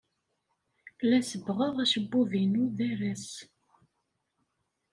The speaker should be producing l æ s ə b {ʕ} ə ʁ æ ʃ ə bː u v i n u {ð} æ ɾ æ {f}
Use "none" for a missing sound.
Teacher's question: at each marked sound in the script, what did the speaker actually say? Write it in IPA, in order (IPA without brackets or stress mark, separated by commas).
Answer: ʁ, ð, s